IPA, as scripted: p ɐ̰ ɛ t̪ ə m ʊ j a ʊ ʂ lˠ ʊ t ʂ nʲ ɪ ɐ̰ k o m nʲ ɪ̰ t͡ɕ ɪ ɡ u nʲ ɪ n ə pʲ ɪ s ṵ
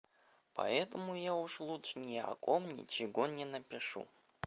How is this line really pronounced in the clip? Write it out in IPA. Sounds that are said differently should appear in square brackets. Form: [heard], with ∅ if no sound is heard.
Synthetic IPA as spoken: p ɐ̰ ɛ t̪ ə m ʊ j a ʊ ʂ lˠ [u] t ʂ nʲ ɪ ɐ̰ k o m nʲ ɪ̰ t͡ɕ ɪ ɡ [o] nʲ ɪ n ə pʲ ɪ [ʂ] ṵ